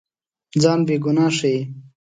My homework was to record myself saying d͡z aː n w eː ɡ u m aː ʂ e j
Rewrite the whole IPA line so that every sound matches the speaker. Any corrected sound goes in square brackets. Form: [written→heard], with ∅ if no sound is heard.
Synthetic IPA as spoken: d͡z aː n [w→b] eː ɡ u [m→n] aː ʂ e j